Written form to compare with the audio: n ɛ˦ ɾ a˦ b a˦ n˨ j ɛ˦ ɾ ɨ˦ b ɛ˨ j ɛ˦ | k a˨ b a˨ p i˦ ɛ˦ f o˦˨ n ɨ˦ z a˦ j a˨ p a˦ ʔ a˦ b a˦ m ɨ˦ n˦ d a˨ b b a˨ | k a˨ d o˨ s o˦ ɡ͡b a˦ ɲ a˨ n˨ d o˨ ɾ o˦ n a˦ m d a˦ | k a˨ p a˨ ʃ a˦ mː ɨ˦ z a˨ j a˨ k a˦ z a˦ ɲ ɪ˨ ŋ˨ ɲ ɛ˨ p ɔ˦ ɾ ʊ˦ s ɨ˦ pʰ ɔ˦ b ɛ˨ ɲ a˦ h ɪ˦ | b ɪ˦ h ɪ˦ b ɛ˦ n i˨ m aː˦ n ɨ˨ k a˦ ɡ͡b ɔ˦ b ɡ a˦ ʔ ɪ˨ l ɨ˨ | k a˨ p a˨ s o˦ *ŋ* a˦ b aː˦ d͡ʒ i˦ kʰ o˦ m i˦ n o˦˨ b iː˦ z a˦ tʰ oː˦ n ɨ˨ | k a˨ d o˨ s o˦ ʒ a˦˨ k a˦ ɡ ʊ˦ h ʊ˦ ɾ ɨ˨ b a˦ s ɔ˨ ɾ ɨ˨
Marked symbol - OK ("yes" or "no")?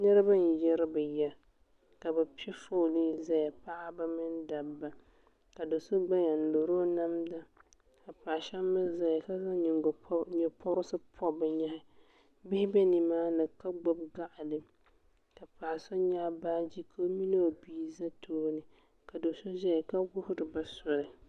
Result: no